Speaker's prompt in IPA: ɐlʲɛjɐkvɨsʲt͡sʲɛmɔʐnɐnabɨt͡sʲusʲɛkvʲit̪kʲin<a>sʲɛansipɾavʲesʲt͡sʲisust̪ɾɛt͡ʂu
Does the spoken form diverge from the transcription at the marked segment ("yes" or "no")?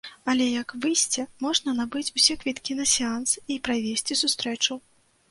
yes